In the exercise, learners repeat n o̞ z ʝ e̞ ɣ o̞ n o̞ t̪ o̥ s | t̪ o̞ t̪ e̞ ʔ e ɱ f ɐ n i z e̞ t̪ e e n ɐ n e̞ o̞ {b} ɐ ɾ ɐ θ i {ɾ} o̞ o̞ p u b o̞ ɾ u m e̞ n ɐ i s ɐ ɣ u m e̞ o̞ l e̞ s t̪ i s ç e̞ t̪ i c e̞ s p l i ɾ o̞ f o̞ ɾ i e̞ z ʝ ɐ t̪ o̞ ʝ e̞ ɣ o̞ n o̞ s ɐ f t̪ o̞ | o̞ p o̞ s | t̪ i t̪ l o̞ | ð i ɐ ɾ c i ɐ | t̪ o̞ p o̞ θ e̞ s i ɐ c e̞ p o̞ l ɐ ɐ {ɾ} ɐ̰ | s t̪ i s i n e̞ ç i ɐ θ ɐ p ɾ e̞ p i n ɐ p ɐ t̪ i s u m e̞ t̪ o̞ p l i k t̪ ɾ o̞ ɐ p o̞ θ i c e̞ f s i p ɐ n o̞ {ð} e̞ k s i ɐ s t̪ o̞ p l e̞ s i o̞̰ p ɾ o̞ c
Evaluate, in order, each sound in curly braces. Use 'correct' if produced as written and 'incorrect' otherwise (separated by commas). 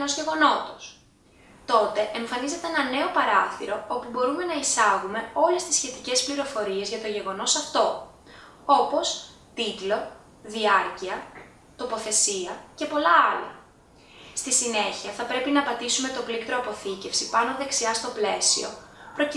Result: incorrect, correct, incorrect, correct